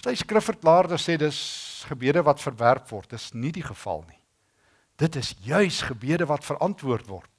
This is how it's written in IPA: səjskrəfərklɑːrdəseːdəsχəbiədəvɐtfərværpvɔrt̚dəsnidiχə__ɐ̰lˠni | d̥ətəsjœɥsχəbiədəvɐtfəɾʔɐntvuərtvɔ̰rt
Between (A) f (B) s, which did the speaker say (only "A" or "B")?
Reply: A